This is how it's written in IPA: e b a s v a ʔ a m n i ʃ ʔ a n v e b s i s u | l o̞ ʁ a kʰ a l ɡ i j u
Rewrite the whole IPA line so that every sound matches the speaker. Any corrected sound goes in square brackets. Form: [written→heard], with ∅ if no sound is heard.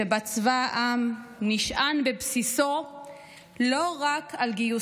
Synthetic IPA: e b a [s→t͡s] v a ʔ a m n i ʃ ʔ a n [v→b] e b s i s [u→o] | l o̞ ʁ a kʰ a l ɡ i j u